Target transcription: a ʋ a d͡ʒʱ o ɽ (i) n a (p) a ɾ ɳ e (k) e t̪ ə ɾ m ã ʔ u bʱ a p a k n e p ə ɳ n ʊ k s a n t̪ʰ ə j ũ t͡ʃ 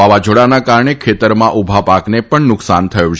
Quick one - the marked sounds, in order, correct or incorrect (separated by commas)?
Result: incorrect, incorrect, incorrect